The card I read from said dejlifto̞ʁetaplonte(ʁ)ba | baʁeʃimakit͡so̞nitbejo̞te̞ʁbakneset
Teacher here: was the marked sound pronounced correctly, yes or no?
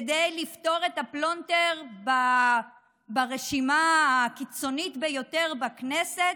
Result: yes